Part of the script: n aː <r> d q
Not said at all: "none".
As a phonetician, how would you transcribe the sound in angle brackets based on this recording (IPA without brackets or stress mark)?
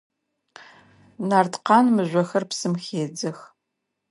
r